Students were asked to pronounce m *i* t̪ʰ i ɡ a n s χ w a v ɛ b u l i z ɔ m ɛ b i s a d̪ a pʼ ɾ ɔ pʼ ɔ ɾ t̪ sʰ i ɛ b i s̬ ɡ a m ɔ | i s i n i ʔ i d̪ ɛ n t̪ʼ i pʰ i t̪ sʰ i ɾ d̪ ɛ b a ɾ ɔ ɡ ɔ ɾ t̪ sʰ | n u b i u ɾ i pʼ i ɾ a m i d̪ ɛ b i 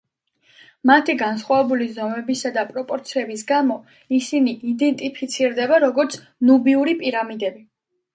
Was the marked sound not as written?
yes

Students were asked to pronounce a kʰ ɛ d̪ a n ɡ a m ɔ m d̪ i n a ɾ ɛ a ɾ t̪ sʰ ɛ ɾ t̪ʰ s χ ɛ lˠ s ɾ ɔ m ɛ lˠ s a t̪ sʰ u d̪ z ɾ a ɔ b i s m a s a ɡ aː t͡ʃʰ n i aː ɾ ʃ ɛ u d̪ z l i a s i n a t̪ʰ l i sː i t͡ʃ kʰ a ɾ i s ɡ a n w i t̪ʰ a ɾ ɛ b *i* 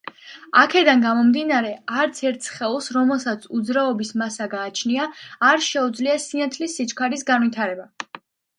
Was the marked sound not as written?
yes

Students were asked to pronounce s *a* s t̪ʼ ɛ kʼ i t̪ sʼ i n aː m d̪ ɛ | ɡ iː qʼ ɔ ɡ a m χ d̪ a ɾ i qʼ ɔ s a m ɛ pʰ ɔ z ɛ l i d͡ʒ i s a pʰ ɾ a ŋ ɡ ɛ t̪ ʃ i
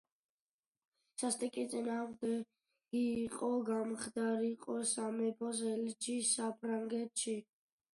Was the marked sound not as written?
no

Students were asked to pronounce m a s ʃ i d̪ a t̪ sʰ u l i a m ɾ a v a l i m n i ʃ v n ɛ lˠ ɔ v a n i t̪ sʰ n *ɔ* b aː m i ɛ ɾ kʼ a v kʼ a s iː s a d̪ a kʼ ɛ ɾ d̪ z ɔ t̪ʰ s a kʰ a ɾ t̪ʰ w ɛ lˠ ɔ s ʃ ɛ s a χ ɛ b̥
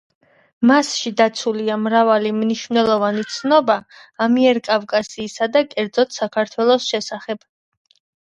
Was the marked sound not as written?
no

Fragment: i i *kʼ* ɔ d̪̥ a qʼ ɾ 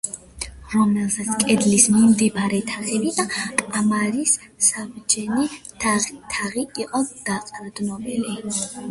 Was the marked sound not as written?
yes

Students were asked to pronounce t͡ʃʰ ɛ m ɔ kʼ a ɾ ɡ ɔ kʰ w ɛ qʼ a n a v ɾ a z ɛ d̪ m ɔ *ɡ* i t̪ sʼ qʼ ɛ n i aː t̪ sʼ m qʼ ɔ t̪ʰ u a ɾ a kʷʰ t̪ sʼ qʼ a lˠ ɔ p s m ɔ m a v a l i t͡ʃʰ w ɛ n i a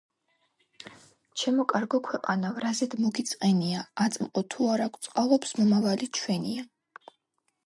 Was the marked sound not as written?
no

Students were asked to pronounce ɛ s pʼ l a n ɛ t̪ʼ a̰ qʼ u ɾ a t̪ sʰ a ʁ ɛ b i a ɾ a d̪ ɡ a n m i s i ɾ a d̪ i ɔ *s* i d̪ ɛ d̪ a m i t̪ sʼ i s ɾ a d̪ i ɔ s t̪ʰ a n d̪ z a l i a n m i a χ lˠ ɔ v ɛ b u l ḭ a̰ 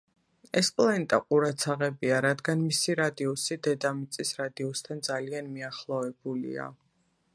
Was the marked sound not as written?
no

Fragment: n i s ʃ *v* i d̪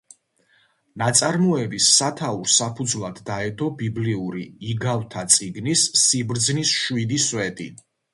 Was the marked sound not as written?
yes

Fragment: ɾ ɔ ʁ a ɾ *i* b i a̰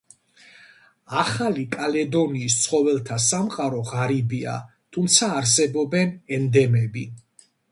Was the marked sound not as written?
no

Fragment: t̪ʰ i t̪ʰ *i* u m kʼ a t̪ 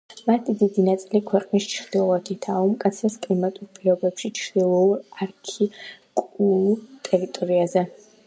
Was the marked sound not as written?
yes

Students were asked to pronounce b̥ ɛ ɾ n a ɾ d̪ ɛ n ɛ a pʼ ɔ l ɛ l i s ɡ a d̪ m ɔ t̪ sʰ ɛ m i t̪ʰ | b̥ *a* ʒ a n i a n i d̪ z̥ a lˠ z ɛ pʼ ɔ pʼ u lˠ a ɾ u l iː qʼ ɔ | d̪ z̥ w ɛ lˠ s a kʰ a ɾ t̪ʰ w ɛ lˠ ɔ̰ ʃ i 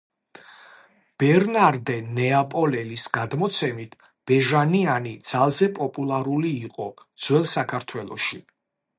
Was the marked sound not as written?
yes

